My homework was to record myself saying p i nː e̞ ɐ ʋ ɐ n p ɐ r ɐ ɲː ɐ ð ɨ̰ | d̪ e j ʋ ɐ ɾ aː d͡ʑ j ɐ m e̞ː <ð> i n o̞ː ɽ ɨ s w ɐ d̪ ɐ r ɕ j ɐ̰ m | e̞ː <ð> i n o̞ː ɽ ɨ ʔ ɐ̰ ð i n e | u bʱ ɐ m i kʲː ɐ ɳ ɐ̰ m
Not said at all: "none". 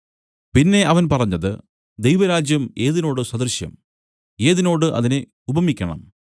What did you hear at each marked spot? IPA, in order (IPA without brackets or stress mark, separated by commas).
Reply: ð, ð